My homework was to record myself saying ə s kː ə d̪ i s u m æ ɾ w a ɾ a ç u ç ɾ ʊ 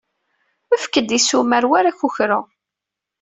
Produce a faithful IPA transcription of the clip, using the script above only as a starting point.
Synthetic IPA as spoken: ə f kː ə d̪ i s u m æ ɾ w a ɾ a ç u ç ɾ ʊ